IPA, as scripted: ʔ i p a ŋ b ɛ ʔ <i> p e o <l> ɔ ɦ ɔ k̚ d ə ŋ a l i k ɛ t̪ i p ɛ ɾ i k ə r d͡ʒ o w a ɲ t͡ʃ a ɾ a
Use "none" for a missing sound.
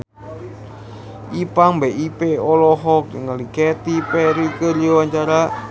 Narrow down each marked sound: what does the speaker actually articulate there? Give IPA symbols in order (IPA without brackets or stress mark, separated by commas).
i, l